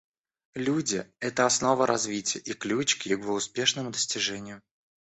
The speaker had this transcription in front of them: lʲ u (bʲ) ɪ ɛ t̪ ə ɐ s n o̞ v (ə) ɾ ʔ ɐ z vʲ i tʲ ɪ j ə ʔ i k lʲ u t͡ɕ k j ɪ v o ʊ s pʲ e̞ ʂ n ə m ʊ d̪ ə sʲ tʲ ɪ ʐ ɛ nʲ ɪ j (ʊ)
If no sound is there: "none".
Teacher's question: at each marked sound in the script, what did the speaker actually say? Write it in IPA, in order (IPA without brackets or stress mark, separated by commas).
dʲ, ə, ʊ